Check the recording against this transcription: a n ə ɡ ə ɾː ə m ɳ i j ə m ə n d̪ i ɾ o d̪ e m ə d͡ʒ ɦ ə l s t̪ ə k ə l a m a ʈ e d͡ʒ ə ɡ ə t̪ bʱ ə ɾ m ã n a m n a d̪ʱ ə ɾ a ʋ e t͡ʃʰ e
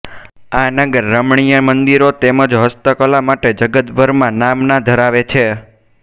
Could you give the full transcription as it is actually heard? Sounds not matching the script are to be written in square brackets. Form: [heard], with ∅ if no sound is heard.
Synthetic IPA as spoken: a n ə ɡ ə ɾː ə m ɳ i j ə m ə n d̪ i ɾ o [t̪] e m ə d͡ʒ ɦ ə [∅] s t̪ ə k ə l a m a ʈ e d͡ʒ ə ɡ ə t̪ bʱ ə ɾ m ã n a m n a d̪ʱ ə ɾ a ʋ e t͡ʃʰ e